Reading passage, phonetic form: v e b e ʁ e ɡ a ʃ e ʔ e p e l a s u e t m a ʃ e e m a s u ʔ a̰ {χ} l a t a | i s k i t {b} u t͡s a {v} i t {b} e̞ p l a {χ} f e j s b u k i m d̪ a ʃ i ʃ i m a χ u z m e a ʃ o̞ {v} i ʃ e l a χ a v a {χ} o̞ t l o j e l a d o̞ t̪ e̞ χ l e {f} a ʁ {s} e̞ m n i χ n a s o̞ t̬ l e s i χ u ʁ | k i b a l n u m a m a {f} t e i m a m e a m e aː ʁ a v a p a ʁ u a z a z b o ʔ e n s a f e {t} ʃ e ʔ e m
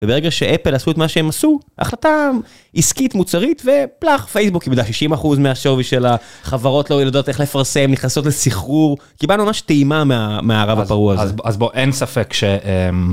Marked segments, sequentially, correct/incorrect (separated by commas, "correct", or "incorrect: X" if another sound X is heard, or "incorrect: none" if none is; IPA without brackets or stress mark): correct, incorrect: m, incorrect: ʁ, incorrect: v, correct, correct, incorrect: ʁ, correct, correct, incorrect: ʃ, incorrect: k